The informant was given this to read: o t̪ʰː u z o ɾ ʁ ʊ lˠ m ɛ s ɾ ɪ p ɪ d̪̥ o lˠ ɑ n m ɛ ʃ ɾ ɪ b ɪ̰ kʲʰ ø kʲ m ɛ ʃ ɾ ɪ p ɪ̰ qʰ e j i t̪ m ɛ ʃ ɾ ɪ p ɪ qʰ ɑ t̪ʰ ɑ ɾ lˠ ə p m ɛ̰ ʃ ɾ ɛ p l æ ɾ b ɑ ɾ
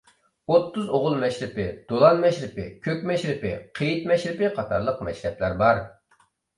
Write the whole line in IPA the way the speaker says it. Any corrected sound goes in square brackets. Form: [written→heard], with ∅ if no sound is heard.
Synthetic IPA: o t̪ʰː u z o [ɾ→∅] ʁ ʊ lˠ m ɛ [s→ʃ] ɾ ɪ p ɪ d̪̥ o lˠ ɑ n m ɛ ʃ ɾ ɪ [b→p] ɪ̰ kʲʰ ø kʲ m ɛ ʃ ɾ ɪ p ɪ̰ qʰ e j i t̪ m ɛ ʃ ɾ ɪ p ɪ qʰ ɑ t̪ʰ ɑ ɾ lˠ ə [p→q] m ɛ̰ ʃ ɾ ɛ p l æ ɾ b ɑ ɾ